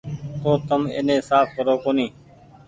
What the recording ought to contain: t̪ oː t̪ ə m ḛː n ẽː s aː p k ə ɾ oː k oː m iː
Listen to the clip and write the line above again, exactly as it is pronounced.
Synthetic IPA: t̪ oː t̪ ə m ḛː n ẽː s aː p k ə ɾ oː k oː n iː